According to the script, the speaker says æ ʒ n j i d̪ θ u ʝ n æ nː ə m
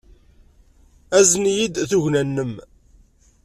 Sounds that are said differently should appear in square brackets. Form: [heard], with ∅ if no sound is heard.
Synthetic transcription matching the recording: æ [z] n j i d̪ θ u ʝ n æ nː ə m